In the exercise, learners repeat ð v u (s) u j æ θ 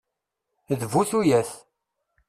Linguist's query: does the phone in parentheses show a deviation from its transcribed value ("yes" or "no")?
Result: yes